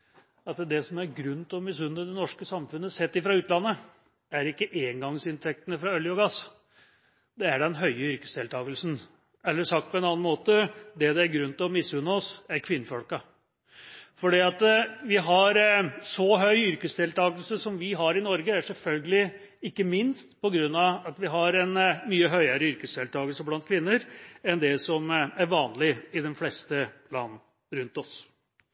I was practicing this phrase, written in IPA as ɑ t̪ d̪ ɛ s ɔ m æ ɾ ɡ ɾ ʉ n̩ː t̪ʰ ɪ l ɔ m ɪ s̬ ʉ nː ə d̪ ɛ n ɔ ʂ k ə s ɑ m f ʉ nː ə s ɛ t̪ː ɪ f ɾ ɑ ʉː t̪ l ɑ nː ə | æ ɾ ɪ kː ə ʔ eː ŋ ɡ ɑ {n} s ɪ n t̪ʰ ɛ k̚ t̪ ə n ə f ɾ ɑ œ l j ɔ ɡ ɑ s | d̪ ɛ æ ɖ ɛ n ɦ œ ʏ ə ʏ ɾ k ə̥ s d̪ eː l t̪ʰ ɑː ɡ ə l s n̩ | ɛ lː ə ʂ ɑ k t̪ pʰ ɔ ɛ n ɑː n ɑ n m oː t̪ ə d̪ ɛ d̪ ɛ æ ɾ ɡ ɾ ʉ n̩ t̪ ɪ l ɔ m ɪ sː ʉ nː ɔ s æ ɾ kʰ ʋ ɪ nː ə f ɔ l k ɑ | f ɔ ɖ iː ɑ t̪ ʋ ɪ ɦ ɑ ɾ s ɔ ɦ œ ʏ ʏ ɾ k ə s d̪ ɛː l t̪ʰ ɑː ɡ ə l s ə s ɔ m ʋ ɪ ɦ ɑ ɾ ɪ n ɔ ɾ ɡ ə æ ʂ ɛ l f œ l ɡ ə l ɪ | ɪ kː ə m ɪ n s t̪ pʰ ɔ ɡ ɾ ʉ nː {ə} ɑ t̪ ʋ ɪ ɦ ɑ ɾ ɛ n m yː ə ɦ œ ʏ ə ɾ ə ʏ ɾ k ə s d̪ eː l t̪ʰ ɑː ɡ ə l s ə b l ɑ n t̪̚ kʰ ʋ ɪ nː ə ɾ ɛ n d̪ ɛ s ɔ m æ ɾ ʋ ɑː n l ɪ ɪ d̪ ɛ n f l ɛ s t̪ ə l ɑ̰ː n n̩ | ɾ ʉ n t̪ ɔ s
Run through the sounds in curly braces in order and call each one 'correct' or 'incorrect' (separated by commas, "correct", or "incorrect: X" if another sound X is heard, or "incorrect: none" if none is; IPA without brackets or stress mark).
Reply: incorrect: ŋ, incorrect: ɑ